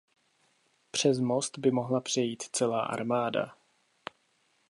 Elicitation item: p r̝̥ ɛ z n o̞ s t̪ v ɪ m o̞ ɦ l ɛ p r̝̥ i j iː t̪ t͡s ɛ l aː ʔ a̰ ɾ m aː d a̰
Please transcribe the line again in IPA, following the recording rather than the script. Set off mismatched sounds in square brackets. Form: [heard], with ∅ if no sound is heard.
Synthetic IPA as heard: p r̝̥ ɛ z [m] o̞ s t̪ [b] ɪ m o̞ ɦ l [a] p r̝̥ [ɛ] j iː t̪ t͡s ɛ l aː ʔ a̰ ɾ m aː d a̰